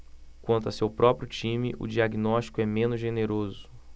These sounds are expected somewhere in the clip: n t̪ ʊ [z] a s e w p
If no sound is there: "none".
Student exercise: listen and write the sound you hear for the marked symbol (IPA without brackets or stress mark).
none